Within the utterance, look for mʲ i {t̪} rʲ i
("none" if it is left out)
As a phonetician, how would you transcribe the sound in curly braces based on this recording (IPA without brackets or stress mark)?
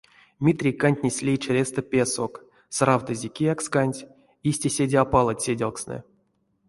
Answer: t̪